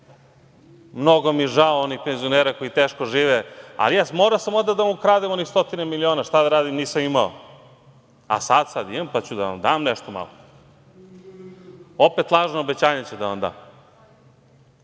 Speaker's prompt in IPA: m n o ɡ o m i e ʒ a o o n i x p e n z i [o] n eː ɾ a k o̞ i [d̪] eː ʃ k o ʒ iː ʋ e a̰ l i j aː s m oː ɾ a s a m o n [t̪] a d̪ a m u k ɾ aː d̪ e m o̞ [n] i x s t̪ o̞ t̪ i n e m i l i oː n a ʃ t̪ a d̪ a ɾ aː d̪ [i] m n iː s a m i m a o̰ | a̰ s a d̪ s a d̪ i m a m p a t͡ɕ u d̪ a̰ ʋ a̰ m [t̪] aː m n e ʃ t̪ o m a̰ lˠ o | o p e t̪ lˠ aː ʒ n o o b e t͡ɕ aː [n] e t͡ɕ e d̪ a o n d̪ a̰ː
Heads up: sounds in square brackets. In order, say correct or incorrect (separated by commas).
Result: correct, incorrect, incorrect, correct, correct, incorrect, incorrect